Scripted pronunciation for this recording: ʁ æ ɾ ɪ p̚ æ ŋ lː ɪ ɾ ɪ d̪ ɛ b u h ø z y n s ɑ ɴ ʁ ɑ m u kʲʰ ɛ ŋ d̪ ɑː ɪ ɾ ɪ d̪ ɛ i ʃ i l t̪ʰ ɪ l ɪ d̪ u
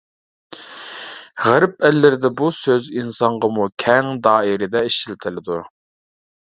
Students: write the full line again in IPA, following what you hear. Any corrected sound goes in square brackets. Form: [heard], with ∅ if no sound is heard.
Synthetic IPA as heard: ʁ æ ɾ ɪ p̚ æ [∅] lː ɪ ɾ ɪ d̪ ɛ b u [s] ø z [i] n s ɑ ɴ ʁ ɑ m u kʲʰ ɛ ŋ d̪ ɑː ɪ ɾ ɪ d̪ ɛ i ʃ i l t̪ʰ ɪ l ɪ d̪ u